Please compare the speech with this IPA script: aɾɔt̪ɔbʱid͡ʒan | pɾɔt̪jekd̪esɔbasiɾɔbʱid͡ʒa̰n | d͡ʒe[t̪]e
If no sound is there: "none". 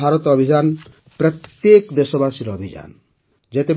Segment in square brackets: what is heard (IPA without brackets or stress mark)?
t̪